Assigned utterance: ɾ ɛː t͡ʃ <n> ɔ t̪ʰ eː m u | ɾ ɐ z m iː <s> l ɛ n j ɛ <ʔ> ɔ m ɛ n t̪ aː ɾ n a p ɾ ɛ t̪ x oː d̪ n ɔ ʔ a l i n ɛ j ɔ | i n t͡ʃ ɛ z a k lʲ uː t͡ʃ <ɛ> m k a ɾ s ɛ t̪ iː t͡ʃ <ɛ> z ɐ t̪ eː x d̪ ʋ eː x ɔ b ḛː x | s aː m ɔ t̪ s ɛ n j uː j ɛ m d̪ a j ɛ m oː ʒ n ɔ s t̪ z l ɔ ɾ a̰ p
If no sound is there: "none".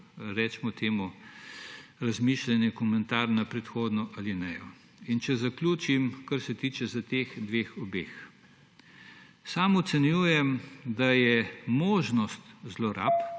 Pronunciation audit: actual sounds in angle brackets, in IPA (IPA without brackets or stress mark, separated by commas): m, ʃ, k, i, ɛ